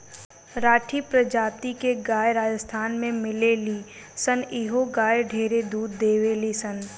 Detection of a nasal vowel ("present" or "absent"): present